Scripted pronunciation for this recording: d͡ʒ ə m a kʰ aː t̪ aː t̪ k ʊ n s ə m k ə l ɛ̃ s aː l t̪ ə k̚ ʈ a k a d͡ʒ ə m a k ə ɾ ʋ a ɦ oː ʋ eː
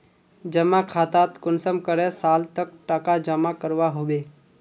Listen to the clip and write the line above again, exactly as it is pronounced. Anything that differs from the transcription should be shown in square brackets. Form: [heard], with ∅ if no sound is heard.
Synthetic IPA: d͡ʒ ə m a kʰ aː t̪ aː t̪ k ʊ n s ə m k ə [ɾ] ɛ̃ s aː l t̪ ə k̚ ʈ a k a d͡ʒ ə m a k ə ɾ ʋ a ɦ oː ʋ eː